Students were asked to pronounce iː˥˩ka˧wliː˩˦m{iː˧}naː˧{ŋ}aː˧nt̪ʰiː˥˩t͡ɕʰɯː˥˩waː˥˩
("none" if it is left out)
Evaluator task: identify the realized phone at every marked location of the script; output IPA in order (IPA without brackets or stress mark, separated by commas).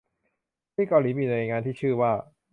iː˧, ŋ